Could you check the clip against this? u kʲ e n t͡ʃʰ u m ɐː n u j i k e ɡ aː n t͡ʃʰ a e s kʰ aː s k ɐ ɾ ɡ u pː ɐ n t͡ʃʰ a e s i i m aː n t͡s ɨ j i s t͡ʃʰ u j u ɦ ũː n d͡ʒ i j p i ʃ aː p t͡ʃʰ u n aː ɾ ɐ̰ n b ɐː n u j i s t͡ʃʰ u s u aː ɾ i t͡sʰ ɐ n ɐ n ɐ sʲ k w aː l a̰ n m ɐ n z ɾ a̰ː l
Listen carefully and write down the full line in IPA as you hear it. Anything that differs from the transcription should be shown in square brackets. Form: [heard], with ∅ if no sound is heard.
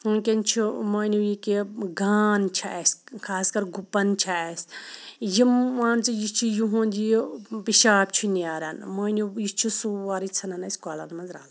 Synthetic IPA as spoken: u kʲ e n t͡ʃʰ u m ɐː n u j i k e ɡ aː n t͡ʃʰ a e s kʰ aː s k ɐ ɾ ɡ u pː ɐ n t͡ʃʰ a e s [j] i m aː n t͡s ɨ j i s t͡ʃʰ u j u ɦ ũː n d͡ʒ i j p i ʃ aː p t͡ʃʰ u n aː ɾ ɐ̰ n [m] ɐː n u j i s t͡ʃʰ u s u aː ɾ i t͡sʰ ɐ n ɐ n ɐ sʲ k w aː l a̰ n m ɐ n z ɾ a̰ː l